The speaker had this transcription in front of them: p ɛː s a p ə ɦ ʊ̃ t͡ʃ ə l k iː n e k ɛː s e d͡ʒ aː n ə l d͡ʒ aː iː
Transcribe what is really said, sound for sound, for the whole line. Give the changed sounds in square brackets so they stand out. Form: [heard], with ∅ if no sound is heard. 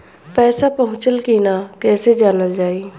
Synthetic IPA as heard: p ɛː s a p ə ɦ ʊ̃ t͡ʃ ə l k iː n [a] k ɛː s e d͡ʒ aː n ə l d͡ʒ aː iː